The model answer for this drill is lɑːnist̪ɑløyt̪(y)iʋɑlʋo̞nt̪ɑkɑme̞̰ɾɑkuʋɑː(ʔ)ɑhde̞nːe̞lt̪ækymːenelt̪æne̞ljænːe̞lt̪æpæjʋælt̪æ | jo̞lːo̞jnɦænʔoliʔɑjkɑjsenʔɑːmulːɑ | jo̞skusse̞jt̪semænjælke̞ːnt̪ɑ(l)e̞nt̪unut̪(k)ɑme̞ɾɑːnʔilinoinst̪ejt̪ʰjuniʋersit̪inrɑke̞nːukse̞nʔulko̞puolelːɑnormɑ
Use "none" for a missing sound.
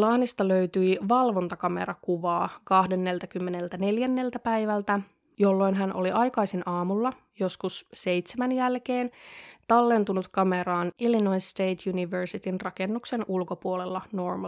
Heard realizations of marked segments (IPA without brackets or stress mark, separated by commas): y, k, lː, k